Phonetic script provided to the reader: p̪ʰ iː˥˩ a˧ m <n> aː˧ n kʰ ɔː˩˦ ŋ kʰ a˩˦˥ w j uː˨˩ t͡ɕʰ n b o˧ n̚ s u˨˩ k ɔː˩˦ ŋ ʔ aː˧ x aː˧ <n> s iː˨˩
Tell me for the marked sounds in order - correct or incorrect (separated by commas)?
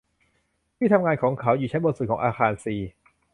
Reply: incorrect, correct